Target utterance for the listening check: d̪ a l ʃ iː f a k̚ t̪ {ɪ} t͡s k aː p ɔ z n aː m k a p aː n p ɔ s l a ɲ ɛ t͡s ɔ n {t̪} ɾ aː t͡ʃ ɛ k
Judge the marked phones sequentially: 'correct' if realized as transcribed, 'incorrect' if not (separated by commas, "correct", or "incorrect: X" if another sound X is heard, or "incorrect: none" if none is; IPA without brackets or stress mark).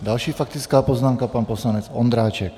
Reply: incorrect: i, incorrect: d̪